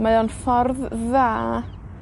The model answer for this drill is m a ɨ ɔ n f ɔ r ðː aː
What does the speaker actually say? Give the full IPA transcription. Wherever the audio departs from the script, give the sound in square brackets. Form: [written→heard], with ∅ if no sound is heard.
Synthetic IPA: m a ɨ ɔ n f ɔ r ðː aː